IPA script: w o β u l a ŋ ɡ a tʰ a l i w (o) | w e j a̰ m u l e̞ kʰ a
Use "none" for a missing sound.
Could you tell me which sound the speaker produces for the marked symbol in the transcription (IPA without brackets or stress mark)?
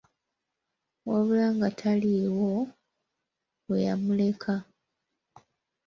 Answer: o